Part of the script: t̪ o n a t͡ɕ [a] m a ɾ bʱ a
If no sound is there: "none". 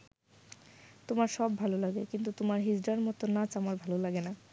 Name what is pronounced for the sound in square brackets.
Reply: a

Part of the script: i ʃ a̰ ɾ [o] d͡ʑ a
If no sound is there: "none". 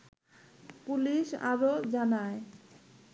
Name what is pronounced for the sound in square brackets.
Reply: o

